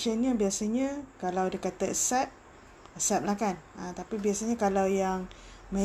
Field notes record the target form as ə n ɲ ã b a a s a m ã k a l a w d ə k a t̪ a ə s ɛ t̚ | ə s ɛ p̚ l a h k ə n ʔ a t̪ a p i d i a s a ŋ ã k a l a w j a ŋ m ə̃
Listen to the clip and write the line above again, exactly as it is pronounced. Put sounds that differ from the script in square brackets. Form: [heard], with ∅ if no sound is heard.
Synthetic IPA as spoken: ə n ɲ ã b [i] a s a [ɲ] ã k a l a w d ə k a t̪ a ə s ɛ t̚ | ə s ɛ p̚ l a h k [a] n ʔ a t̪ a p i [b] i a s a [ɲ] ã k a l a w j a ŋ m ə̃